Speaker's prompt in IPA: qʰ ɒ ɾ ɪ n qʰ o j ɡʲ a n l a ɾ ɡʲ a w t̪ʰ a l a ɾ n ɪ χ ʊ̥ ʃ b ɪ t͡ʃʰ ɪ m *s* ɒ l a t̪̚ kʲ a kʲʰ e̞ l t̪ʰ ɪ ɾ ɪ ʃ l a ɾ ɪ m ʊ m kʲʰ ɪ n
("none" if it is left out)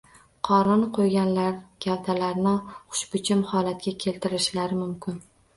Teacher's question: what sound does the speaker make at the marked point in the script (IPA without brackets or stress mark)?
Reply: h